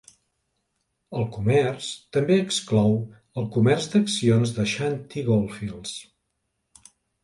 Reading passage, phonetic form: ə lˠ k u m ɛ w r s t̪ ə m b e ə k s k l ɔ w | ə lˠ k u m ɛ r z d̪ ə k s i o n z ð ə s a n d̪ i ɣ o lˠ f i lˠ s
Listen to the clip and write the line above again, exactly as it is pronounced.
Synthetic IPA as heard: ə lˠ k u m ɛ r s t̪ ə m b e ə k s k l ɔ w | ə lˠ k u m ɛ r z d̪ ə k s i o n z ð ə ʃ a n t̪ i ɣ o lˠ f i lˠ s